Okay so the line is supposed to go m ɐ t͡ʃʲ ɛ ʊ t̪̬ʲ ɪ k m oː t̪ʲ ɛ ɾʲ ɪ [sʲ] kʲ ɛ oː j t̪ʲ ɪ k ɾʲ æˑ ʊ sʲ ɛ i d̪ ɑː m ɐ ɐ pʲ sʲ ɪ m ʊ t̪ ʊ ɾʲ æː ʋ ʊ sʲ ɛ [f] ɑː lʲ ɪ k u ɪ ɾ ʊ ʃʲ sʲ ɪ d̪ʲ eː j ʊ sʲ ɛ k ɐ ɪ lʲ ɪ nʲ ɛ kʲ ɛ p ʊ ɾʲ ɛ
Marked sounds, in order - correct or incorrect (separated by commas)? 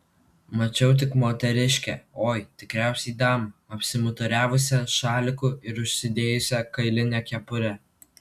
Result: incorrect, incorrect